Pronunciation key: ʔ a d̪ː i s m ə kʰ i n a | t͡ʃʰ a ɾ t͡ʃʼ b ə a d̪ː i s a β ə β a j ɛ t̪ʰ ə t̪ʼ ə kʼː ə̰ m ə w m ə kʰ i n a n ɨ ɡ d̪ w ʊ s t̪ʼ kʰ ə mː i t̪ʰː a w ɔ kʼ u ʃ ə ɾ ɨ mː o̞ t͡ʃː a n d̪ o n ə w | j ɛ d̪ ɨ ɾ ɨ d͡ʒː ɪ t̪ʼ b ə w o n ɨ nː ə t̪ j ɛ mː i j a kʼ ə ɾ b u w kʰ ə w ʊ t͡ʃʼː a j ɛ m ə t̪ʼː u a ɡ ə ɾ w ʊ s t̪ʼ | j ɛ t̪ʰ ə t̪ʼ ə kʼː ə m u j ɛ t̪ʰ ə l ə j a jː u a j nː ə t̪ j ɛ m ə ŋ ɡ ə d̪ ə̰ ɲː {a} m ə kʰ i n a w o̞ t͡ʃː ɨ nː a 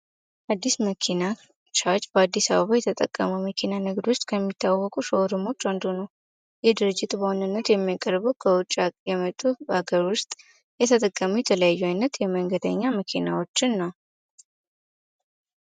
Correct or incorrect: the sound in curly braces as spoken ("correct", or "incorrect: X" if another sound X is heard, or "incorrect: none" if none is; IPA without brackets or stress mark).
correct